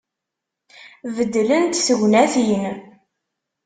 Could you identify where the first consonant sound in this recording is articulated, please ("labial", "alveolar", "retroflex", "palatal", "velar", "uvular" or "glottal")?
labial